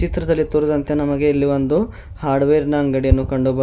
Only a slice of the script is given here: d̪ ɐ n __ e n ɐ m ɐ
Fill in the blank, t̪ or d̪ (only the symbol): t̪